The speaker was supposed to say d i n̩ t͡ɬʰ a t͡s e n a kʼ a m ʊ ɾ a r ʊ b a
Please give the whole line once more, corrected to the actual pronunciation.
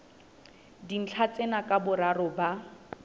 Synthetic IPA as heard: d i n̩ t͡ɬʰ a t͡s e n a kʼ a b ʊ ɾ a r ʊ b a